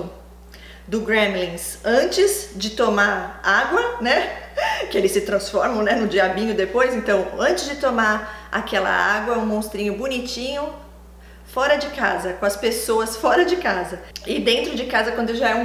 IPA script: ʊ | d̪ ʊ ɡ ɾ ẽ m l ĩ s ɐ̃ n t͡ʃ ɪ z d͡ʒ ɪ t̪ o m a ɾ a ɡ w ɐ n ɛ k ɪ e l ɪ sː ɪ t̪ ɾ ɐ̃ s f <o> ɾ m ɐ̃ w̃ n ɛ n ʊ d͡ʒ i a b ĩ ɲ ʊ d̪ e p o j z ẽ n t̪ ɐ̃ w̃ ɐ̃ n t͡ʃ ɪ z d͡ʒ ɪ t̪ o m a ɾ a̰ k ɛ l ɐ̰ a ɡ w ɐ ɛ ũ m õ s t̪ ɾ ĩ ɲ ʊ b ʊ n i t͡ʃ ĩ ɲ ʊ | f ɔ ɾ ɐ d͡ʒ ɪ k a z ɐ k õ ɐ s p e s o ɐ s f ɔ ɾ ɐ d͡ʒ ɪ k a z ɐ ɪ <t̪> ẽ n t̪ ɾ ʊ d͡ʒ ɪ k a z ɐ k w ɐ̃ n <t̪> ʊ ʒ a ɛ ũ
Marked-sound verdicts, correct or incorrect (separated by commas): incorrect, incorrect, incorrect